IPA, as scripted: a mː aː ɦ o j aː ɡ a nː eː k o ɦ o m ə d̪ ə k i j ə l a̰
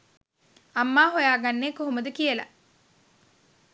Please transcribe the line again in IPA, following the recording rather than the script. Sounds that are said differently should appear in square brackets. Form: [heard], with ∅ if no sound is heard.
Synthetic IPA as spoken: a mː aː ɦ o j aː ɡ a nː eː k o ɦ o m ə d̪ ə k i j ə l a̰

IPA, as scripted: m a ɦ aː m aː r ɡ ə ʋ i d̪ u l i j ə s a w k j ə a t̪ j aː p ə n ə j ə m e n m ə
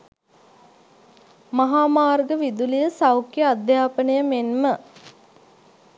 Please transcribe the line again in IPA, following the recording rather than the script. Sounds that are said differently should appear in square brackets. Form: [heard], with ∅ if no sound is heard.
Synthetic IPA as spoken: m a ɦ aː m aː r ɡ ə ʋ i d̪ u l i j ə s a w k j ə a [d̪] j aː p ə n ə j ə m e n m ə

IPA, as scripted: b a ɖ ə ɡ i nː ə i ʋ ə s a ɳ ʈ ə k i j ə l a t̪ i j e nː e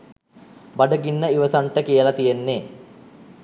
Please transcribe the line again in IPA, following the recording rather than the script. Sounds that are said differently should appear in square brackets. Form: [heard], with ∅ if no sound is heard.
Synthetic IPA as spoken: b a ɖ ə ɡ i nː ə i ʋ ə s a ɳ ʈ ə k i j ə l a t̪ i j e nː e

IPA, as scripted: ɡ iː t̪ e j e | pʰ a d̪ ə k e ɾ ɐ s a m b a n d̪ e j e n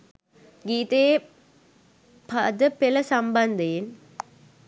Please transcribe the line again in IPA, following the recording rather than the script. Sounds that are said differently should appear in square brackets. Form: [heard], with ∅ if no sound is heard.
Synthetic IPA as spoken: ɡ iː t̪ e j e | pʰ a d̪ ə [p] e [l] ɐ s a m b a n d̪ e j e n

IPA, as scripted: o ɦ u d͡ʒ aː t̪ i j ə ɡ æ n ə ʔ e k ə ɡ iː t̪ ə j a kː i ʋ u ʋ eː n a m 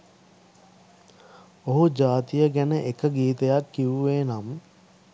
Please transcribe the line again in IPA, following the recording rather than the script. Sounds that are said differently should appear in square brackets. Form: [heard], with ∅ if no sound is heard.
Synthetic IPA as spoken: o ɦ u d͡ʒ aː t̪ i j ə ɡ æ n ə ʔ e k ə ɡ iː t̪ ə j a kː i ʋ u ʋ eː n a m

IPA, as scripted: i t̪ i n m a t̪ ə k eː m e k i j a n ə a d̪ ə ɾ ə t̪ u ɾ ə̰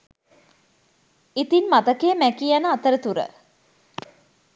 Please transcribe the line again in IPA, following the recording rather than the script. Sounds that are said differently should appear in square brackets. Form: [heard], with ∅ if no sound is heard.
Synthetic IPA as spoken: i t̪ i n m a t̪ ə k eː m [æ] k i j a n ə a [t̪] ə ɾ ə t̪ u ɾ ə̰

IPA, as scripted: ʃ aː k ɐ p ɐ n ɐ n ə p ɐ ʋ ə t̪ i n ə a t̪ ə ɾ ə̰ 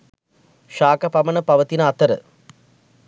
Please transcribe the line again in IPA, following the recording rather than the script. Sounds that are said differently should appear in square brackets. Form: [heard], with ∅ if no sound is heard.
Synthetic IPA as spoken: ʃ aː k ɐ p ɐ [m] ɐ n ə p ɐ ʋ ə t̪ i n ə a t̪ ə ɾ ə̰

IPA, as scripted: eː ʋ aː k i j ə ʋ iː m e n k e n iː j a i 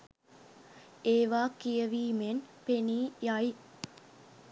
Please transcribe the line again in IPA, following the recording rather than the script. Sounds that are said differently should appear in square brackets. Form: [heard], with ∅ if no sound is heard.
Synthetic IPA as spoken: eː ʋ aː k i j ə ʋ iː m e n [p] e n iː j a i

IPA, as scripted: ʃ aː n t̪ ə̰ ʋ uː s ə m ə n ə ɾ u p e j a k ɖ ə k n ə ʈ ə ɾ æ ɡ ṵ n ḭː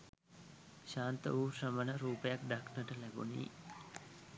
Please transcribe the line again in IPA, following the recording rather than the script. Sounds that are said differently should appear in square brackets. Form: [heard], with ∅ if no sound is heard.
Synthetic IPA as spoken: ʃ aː n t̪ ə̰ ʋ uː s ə m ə n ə ɾ [uː] p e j a k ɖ [a] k n ə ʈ ə [l] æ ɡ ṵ n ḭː

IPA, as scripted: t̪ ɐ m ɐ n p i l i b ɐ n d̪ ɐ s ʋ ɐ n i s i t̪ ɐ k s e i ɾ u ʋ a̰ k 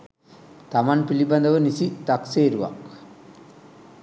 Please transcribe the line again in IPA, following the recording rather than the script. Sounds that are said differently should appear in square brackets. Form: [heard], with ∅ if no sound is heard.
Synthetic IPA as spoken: t̪ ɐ m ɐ n p i l i b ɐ n d̪ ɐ [∅] ʋ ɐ n i s i t̪ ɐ k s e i ɾ u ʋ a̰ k

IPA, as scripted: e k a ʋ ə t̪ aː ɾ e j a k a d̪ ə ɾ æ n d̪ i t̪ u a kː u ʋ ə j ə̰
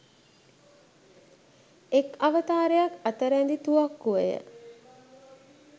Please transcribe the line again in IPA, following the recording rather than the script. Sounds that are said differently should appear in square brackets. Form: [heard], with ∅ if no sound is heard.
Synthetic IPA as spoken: e k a ʋ ə t̪ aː ɾ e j a k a [t̪] ə ɾ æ n d̪ i t̪ u a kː u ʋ ə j ə̰

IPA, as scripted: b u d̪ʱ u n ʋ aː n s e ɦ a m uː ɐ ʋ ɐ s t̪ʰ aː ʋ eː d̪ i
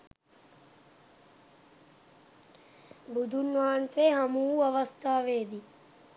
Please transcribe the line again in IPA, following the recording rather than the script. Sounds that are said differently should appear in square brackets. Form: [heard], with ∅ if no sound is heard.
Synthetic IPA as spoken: b u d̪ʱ u n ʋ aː n s e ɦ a m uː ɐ ʋ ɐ s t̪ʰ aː ʋ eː d̪ i

